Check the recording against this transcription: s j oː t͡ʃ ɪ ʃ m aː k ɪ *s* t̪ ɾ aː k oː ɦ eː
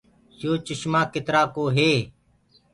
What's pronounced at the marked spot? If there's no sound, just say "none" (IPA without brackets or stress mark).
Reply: none